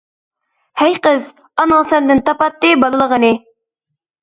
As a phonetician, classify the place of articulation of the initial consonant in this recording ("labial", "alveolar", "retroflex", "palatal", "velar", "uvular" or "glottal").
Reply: glottal